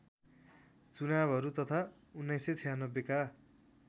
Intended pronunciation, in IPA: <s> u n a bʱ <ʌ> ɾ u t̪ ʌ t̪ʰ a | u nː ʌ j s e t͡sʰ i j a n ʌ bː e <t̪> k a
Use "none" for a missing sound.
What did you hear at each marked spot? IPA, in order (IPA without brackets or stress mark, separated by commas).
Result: t͡s, ʌ, none